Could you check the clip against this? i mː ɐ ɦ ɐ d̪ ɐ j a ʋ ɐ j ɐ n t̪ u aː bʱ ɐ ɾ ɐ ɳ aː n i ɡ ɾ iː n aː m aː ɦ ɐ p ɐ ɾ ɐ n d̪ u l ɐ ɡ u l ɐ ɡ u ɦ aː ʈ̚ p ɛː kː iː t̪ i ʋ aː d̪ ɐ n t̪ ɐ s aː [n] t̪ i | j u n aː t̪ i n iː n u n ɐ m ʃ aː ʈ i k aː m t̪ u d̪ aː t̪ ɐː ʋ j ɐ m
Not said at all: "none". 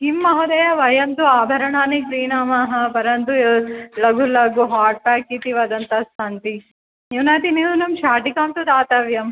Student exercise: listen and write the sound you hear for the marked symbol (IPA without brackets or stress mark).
n